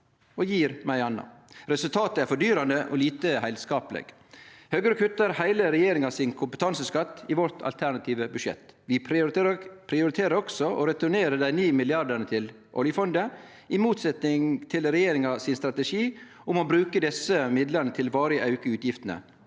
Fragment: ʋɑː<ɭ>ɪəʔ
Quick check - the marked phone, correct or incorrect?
incorrect